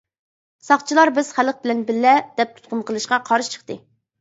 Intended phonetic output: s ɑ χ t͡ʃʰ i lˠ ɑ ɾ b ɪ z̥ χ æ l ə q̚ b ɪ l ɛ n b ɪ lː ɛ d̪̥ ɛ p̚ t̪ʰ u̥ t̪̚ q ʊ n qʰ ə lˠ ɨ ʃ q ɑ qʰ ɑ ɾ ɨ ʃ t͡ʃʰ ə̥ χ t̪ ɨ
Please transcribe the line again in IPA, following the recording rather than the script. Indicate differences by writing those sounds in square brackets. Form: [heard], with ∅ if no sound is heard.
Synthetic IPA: s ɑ χ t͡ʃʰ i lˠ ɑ ɾ b ɪ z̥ χ æ l ə q̚ b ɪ l ɛ n b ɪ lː ɛ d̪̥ ɛ p̚ t̪ʰ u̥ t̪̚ q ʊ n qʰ ə lˠ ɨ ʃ q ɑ qʰ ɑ ɾ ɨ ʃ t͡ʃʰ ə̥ χ t̪ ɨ